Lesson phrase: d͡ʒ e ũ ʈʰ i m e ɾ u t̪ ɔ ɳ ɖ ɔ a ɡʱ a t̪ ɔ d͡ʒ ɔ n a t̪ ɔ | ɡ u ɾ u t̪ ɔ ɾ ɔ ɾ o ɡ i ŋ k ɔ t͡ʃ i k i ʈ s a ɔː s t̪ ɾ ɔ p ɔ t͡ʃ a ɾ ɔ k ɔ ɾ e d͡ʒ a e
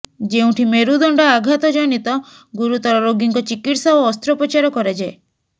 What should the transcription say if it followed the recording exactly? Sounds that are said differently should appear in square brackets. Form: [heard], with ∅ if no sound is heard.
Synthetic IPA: d͡ʒ e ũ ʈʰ i m e ɾ u [d̪] ɔ ɳ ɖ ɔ a ɡʱ a t̪ ɔ d͡ʒ ɔ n [i] t̪ ɔ | ɡ u ɾ u t̪ ɔ ɾ ɔ ɾ o ɡ i ŋ k ɔ t͡ʃ i k i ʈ s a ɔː s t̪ ɾ ɔ p ɔ t͡ʃ a ɾ ɔ k ɔ ɾ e d͡ʒ a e

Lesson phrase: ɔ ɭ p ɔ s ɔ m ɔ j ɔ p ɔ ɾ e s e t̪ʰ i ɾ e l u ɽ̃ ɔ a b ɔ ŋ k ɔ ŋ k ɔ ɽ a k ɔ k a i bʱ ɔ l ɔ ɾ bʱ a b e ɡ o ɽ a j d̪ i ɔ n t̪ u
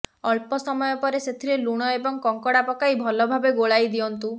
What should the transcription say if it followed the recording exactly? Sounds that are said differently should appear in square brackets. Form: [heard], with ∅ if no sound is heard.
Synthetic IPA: ɔ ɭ p ɔ s ɔ m ɔ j ɔ p ɔ ɾ e s e t̪ʰ i ɾ e l u ɽ̃ ɔ [e] b ɔ ŋ k ɔ ŋ k ɔ ɽ a [p] ɔ k a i bʱ ɔ l ɔ [∅] bʱ a b e ɡ o [ɭ] a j d̪ i ɔ n t̪ u

